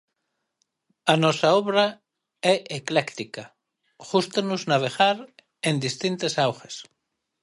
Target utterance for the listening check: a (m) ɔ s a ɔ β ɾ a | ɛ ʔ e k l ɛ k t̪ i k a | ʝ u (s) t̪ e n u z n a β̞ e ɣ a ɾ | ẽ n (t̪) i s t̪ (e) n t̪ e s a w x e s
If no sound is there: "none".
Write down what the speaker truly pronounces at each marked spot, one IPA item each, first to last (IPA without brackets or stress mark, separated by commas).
n, s, d̪, i